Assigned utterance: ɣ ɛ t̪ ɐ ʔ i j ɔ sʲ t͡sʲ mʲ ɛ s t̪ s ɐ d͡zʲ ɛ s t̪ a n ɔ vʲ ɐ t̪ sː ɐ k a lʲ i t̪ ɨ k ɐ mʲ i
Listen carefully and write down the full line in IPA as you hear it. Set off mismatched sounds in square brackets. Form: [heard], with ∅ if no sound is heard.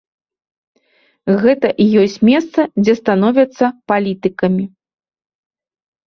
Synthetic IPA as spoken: ɣ ɛ t̪ ɐ ʔ i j ɔ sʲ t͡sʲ mʲ ɛ s t̪ s ɐ d͡zʲ ɛ s t̪ a n ɔ vʲ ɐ t̪ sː ɐ [p] a lʲ i t̪ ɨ k ɐ mʲ i

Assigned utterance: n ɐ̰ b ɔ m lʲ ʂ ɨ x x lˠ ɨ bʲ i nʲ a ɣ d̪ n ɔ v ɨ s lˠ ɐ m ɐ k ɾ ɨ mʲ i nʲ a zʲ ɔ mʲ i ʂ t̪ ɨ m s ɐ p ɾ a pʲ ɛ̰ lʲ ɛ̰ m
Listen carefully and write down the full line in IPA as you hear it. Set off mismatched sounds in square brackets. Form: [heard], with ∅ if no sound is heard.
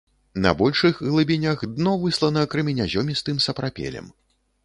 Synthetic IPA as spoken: n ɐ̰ b ɔ [∅] lʲ ʂ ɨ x [ɣ] lˠ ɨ bʲ i nʲ a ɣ d̪ n ɔ v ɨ s lˠ ɐ [n] ɐ k ɾ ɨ mʲ i nʲ a zʲ ɔ mʲ i [s] t̪ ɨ m s ɐ p ɾ a pʲ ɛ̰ lʲ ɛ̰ m

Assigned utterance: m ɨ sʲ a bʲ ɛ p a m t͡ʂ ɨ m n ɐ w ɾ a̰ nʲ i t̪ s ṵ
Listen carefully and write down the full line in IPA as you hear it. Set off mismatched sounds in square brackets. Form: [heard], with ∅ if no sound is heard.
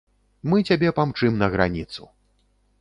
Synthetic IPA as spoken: m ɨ [t͡sʲ] a bʲ ɛ p a m t͡ʂ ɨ m n ɐ [ɣ] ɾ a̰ nʲ i t̪ s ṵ

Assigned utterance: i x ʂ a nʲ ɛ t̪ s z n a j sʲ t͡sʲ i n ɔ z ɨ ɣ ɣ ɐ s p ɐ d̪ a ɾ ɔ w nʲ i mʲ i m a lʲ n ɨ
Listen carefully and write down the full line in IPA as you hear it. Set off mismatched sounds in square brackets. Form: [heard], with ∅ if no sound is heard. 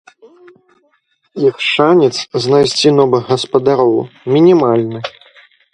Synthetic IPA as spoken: i x ʂ a nʲ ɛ t̪ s z n a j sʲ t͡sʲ i n ɔ [v] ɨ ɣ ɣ ɐ s p ɐ d̪ a ɾ ɔ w [mʲ] i [nʲ] i m a lʲ n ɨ

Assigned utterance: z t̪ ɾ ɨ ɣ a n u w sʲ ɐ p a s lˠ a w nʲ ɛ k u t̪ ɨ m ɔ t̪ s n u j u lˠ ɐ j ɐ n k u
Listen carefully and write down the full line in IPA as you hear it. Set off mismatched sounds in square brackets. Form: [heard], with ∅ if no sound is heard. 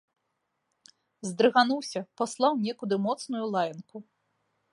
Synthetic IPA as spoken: z [d̪] ɾ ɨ ɣ a n u w sʲ ɐ p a s lˠ a w nʲ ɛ k u [d̪] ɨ m ɔ t̪ s n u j u lˠ [a] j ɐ n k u

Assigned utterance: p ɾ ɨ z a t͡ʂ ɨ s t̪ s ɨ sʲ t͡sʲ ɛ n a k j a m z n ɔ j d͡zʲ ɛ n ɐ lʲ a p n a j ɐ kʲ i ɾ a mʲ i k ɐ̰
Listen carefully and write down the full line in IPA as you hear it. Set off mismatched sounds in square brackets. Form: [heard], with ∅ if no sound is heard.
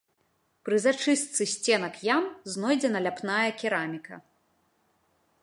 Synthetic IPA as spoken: p ɾ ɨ z a t͡ʂ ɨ s t̪ s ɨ sʲ t͡sʲ ɛ n [ɐ] k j a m z n ɔ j d͡zʲ ɛ n ɐ lʲ a p n a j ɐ kʲ i ɾ a mʲ i k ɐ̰

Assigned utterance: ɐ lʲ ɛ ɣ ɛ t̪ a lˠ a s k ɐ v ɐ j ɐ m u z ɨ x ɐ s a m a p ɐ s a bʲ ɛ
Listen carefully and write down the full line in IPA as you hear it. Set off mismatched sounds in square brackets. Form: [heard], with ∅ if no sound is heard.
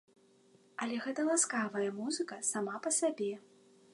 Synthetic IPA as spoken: ɐ lʲ ɛ ɣ ɛ t̪ [ɐ] lˠ a s k [a] v ɐ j ɐ m u z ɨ [k] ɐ s a m a p ɐ s a bʲ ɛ

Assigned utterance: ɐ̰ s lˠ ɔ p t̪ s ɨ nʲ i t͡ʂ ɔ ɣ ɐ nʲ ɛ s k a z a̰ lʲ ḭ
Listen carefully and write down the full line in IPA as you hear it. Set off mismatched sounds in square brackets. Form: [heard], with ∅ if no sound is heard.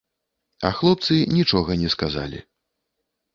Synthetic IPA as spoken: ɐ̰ [x] lˠ ɔ p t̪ s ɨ nʲ i t͡ʂ ɔ ɣ ɐ nʲ ɛ s k a z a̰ lʲ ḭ

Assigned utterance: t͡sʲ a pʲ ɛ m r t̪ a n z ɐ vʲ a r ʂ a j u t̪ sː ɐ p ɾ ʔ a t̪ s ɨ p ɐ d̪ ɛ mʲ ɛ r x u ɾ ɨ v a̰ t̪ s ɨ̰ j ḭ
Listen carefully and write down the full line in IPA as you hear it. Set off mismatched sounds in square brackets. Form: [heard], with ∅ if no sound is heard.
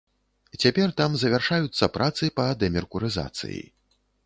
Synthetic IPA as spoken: t͡sʲ a pʲ ɛ [∅] r t̪ a [m] z ɐ vʲ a r ʂ a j u t̪ sː ɐ p ɾ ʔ a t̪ s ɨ p ɐ d̪ ɛ mʲ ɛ r [k] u ɾ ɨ [z] a̰ t̪ s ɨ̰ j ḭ

